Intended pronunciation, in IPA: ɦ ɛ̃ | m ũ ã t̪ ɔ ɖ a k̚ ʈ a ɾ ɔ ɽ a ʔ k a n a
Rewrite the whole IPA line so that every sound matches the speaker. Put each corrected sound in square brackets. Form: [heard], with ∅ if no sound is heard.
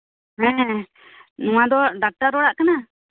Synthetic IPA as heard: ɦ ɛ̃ | [n] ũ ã [d̪] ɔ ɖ a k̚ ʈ a ɾ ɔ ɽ a ʔ k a n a